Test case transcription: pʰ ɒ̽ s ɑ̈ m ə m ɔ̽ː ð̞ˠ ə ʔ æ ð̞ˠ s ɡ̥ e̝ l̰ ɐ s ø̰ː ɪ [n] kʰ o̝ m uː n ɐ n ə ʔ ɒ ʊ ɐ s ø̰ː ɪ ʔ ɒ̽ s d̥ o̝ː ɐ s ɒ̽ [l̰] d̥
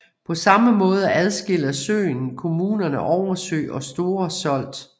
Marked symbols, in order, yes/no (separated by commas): yes, yes